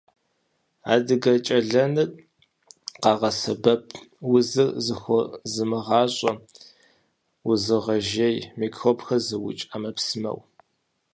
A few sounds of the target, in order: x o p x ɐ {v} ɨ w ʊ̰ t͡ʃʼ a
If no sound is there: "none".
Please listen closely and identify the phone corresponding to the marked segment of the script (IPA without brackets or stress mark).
z